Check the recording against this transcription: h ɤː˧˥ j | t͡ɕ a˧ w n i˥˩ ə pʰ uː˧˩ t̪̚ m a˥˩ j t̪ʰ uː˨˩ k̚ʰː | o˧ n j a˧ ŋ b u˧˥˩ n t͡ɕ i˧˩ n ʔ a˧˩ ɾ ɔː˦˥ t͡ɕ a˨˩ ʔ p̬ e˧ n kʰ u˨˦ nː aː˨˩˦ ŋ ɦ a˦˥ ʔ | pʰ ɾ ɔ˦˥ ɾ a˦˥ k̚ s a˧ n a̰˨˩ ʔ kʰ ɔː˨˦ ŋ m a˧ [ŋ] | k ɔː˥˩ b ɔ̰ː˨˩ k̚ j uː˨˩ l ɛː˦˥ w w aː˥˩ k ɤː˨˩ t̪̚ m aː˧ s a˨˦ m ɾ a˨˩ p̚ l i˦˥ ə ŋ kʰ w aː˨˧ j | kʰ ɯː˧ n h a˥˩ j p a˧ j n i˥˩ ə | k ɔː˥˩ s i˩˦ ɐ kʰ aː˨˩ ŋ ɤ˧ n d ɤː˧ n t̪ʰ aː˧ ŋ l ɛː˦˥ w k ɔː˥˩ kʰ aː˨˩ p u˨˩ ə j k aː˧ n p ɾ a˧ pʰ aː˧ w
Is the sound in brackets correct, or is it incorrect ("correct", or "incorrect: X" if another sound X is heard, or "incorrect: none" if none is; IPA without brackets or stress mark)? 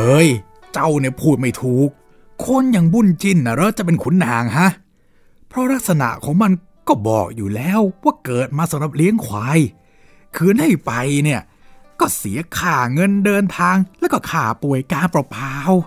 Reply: incorrect: n